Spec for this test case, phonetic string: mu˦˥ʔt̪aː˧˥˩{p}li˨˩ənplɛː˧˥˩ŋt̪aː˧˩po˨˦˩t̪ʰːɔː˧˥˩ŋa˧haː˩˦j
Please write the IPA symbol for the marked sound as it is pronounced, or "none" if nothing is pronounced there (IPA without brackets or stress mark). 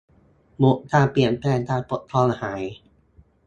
p